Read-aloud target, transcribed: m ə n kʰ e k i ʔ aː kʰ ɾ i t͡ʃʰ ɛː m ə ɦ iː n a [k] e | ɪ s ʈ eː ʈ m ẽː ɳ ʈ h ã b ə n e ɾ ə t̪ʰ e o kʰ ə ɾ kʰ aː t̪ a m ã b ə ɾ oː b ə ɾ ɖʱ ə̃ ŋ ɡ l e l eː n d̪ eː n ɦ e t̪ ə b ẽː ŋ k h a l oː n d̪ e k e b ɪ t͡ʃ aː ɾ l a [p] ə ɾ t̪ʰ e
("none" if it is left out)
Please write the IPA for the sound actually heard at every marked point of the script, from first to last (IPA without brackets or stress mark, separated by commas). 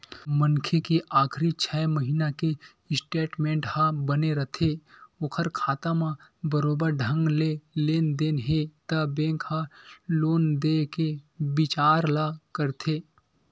k, k